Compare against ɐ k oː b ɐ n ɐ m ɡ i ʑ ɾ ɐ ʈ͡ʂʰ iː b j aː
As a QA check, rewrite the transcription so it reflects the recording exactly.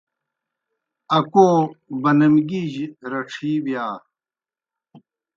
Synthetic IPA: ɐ k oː b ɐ n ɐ m ɡ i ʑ ɾ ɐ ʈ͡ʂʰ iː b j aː